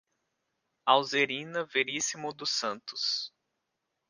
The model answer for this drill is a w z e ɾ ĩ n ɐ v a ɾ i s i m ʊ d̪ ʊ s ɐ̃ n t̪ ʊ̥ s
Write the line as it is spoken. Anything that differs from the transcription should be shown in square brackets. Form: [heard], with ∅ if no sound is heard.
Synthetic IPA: a w z e ɾ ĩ n ɐ v [e] ɾ i s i m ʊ d̪ ʊ s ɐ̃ n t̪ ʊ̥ s